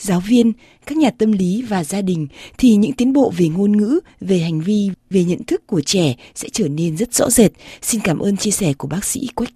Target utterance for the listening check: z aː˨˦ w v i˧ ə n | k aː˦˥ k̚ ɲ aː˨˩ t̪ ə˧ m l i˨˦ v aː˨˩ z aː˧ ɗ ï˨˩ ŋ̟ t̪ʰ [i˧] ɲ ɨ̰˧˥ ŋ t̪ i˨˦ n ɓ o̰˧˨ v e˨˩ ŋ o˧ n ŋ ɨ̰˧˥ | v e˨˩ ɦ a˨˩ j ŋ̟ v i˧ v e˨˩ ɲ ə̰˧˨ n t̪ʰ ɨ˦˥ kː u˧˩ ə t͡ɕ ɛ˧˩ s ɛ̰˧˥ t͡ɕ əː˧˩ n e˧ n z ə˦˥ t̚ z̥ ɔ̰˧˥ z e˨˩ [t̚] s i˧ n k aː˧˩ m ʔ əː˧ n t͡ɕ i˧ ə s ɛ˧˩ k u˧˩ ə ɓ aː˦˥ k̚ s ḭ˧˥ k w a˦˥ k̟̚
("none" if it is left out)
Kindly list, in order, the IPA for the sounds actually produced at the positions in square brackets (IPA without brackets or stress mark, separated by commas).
i˨˩, t̚